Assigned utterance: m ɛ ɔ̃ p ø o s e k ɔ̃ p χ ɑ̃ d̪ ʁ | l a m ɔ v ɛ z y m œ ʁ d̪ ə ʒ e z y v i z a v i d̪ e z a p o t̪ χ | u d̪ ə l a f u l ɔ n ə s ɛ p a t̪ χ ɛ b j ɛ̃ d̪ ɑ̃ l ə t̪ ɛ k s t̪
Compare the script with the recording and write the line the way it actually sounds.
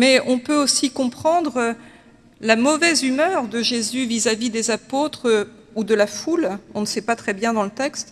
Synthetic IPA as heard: m ɛ ɔ̃ p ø o s i k ɔ̃ p χ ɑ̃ d̪ ʁ | l a m ɔ v ɛ z y m œ ʁ d̪ ə ʒ e z y v i z a v i d̪ e z a p o t̪ χ | u d̪ ə l a f u l ɔ̃ n ə s ɛ p a t̪ χ ɛ b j ɛ̃ d̪ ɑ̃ l ə t̪ ɛ k s t̪